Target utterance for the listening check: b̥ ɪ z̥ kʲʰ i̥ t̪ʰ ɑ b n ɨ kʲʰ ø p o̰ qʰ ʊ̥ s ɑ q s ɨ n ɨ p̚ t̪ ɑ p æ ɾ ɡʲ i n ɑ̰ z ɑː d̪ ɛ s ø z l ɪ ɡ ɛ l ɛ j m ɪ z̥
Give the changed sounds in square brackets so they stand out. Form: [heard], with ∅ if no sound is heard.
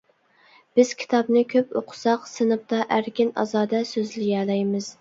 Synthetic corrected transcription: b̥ ɪ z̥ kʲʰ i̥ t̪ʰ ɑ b n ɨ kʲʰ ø p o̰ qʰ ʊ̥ s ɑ q s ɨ n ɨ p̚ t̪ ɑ [ʔ] æ ɾ [kʲ] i n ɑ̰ z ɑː d̪ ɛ s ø z l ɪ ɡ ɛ l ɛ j m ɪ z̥